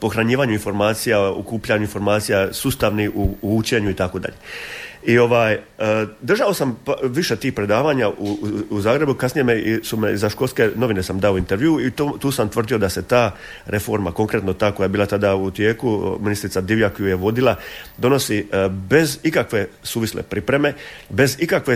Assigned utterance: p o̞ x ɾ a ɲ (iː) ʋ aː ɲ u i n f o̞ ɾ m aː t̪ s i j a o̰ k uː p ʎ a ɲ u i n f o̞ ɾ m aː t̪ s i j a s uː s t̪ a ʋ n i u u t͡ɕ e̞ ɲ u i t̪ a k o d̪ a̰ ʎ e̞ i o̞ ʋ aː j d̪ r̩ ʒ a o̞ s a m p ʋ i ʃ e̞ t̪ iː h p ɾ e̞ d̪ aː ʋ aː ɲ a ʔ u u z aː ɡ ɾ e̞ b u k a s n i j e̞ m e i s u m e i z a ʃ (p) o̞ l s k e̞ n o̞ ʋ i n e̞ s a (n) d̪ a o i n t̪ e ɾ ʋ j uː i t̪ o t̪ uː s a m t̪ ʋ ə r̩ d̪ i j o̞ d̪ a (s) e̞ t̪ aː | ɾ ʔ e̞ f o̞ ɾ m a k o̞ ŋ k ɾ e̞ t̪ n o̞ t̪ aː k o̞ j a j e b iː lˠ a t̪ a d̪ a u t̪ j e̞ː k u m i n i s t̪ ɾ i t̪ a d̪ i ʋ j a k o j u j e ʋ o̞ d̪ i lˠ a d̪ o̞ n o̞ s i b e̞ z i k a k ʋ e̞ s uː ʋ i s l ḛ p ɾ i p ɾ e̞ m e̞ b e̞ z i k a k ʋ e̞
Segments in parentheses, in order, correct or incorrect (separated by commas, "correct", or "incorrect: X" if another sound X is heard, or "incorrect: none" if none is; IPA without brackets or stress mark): correct, incorrect: k, incorrect: m, correct